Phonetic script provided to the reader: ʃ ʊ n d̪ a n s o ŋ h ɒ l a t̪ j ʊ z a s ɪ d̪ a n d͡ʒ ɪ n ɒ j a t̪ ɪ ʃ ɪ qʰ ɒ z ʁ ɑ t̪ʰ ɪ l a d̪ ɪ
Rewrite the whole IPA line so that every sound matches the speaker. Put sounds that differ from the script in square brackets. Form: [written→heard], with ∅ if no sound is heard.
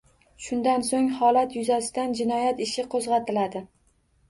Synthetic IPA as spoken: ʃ ʊ n d̪ a n s o ŋ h ɒ l a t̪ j ʊ z a s ɪ d̪ a n d͡ʒ ɪ n ɒ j a t̪ ɪ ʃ ɪ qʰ [ɒ→o] z ʁ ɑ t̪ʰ ɪ l a d̪ ɪ